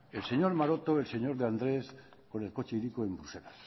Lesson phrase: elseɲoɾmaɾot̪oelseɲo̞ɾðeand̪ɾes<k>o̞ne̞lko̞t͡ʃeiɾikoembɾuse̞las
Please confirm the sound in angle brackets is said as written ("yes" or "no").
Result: yes